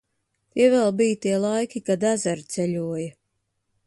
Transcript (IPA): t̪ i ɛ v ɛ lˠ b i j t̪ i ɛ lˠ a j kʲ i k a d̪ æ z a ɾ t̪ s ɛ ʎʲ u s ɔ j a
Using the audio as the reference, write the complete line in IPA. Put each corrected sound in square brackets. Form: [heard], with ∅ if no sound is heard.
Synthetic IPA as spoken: t̪ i ɛ v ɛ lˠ b i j t̪ i ɛ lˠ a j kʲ i k a d̪ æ z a ɾ t̪ s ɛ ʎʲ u [∅] ɔ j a